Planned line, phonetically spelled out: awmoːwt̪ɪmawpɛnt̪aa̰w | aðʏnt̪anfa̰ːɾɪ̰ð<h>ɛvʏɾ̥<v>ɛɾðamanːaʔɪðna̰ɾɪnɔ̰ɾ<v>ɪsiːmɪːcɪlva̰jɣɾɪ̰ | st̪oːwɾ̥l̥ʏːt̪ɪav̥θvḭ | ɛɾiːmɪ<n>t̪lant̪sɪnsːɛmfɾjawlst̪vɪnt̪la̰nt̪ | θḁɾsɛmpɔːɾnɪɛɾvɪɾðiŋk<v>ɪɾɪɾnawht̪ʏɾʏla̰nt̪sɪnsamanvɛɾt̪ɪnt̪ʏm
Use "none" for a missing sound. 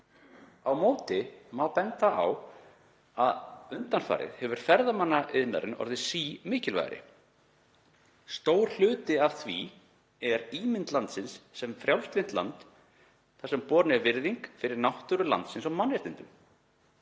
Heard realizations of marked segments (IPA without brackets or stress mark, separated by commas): h, f, ð, n, f